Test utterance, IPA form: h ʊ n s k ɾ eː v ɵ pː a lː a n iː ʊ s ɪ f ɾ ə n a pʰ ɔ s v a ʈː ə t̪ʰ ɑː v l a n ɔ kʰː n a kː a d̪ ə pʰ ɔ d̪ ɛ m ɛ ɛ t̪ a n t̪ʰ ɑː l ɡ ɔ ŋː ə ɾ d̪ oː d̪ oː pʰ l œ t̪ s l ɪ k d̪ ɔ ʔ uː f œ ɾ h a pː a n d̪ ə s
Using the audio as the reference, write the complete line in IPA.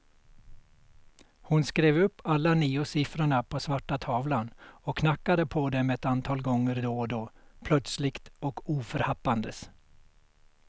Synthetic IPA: h ʊ n s k ɾ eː v ɵ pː a lː a n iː ʊ s ɪ f ɾ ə ɳ a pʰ ɔ s v a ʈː a t̪ʰ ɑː v l a n ɔ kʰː n a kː a d̪ ə pʰ ɔ d̪ ɛ m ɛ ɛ t̪ a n t̪ʰ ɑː l ɡ ɔ ŋː ə ɾ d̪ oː d̪ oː pʰ l œ t̪ s l ɪ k t̪ ɔ k uː f œ ɾ h a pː a n d̪ ə s